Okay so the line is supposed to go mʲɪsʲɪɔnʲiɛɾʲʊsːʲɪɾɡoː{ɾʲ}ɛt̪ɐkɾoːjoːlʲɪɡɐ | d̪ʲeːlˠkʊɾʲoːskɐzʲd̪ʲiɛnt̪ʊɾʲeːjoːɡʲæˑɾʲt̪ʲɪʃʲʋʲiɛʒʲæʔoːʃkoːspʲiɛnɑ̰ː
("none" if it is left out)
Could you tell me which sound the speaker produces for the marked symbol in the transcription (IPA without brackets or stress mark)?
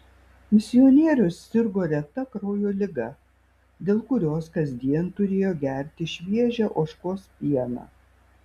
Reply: ɾʲ